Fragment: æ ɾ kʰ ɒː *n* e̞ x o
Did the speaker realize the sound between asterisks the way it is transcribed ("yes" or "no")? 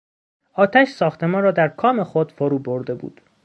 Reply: no